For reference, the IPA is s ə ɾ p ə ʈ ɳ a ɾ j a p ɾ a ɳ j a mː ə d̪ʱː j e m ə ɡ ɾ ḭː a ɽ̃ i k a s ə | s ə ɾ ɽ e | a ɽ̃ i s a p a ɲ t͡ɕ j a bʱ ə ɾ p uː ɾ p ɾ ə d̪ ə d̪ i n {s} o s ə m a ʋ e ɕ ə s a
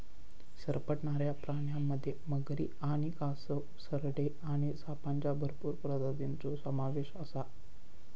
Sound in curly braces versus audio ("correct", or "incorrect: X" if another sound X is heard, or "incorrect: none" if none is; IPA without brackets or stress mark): incorrect: t͡s